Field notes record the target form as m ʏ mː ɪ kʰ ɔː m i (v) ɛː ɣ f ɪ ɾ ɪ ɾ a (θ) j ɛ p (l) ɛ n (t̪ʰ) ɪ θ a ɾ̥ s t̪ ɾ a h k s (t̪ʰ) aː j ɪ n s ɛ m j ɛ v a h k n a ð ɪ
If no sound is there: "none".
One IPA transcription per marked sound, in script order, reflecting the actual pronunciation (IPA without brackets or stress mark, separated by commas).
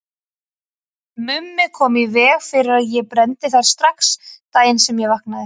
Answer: v, ð, ɾ, t̪, t̪